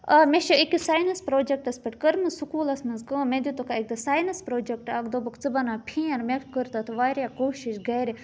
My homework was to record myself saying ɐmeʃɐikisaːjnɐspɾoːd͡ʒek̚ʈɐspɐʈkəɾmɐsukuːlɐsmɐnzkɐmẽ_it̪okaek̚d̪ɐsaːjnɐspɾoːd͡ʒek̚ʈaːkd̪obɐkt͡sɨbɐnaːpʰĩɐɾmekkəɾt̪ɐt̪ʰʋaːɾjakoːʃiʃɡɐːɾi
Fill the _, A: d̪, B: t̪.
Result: A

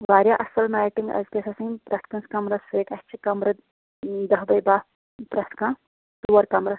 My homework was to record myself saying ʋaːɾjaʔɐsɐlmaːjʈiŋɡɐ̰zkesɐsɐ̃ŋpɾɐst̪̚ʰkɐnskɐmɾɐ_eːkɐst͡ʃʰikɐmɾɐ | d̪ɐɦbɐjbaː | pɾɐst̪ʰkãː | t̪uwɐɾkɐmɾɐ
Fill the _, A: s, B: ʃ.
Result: A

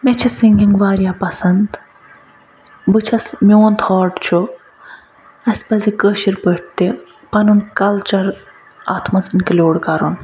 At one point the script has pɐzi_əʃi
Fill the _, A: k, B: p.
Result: A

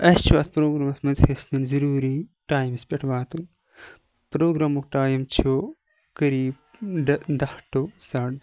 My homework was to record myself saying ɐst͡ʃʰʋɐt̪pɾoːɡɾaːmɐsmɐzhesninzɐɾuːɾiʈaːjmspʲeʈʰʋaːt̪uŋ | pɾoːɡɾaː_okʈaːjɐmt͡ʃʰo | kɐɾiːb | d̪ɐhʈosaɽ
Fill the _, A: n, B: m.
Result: B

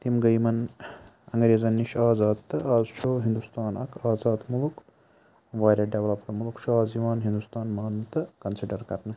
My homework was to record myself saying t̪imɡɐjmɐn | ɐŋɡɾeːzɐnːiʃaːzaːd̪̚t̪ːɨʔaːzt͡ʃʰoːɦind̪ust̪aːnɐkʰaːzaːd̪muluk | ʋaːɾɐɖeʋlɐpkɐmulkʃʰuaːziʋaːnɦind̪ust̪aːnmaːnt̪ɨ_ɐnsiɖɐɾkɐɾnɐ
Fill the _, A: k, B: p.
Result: A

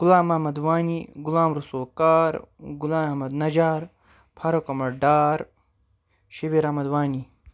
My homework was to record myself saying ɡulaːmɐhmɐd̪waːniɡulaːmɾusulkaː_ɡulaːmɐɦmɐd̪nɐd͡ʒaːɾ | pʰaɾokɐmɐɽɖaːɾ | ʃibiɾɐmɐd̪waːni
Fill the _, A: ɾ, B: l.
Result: A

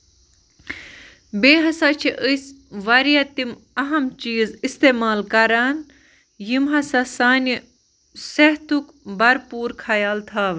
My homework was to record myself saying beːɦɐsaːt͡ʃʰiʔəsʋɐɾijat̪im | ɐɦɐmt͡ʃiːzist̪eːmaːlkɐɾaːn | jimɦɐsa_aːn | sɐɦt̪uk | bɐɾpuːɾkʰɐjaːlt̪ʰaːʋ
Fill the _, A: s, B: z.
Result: A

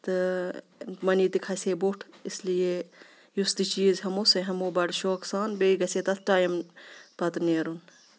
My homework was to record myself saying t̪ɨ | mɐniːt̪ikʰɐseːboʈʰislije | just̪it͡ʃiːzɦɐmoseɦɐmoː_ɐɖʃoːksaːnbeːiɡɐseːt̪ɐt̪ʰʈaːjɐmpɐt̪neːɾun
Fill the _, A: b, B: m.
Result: A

